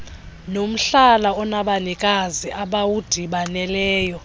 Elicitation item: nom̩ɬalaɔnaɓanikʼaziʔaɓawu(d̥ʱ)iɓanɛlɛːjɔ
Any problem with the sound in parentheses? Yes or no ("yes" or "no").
no